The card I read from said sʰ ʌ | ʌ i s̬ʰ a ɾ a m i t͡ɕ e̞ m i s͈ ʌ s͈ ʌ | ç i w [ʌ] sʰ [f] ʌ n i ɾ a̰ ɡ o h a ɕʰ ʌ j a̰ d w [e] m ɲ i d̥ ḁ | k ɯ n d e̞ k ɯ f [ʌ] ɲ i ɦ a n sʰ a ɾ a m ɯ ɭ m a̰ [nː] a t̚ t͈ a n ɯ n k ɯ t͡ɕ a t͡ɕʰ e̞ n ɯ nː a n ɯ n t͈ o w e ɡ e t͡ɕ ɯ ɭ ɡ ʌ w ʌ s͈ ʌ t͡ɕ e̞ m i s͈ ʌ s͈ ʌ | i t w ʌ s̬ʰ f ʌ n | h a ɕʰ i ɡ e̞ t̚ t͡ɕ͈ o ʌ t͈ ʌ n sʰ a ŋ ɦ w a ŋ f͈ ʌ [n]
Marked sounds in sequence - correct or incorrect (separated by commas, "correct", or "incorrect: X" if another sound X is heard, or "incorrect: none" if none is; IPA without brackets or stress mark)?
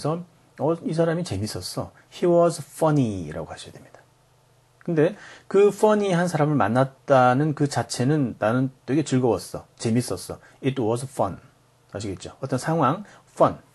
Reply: correct, correct, correct, correct, correct, correct